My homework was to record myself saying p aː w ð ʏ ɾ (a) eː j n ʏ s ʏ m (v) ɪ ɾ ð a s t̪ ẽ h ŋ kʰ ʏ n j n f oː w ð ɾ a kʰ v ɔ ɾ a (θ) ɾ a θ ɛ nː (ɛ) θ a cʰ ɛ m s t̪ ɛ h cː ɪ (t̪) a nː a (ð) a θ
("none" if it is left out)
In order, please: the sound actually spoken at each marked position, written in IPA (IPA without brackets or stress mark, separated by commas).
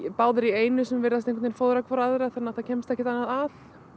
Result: i, v, ð, a, t̪, ð